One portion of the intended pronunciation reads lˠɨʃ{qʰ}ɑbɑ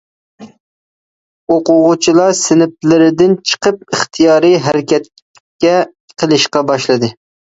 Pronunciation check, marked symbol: incorrect: q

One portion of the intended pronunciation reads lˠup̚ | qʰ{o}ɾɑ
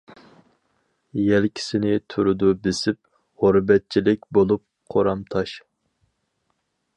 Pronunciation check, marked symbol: correct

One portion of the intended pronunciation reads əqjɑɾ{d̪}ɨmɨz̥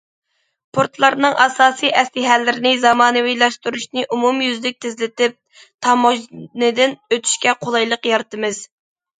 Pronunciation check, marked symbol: incorrect: t̪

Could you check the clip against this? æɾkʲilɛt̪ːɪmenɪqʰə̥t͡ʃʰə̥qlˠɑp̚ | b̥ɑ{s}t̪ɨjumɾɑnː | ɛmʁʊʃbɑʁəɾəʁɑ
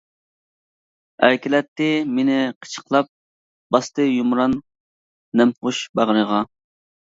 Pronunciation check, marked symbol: correct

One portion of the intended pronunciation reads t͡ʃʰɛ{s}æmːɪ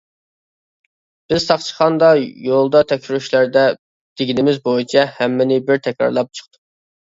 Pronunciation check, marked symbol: incorrect: h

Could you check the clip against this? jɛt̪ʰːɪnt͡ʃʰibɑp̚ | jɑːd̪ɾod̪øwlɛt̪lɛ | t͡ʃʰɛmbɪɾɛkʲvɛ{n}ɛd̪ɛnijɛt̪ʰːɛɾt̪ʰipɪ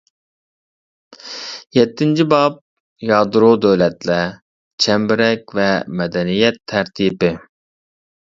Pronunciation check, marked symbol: incorrect: m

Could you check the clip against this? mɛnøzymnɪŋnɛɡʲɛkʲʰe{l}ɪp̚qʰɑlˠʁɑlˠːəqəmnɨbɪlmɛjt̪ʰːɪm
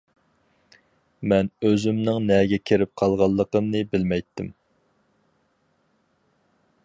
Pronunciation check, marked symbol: incorrect: ɾ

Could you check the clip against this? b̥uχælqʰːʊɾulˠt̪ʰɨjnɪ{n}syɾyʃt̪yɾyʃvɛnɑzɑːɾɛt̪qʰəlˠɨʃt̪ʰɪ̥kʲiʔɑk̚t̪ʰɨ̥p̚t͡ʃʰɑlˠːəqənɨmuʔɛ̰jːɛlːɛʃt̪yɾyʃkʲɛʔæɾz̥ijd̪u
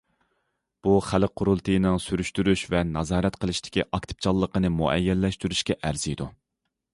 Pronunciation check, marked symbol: incorrect: ŋ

